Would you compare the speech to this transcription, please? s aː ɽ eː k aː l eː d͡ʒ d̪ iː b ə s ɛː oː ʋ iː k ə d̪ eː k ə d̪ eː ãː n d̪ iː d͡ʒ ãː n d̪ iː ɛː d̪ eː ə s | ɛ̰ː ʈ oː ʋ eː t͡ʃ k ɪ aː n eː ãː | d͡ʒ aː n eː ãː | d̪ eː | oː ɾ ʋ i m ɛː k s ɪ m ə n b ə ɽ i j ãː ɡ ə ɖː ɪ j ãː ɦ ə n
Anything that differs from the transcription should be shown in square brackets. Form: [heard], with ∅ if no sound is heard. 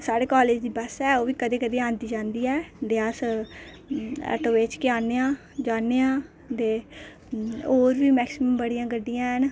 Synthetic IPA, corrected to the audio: s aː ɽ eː k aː l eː d͡ʒ d̪ iː b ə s ɛː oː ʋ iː k ə d̪ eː k ə d̪ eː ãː n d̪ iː d͡ʒ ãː n d̪ iː ɛː d̪ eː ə s | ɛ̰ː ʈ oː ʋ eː t͡ʃ k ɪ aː n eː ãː | d͡ʒ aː n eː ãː | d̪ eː | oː ɾ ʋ [iː] m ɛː k s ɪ m ə [m] b ə ɽ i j ãː ɡ ə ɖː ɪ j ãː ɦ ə n